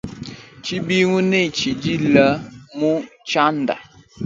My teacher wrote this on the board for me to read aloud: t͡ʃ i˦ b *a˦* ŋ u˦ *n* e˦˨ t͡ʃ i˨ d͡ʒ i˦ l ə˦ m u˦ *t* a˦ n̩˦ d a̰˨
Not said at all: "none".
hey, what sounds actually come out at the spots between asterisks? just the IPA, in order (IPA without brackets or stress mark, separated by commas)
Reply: i˦, n, t͡ʃ